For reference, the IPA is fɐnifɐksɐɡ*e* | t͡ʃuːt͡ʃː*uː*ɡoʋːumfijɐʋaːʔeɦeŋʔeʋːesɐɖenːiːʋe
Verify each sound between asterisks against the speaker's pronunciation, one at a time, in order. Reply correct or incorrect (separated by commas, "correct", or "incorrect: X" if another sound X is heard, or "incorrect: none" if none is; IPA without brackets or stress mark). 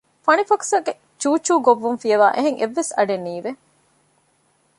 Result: correct, correct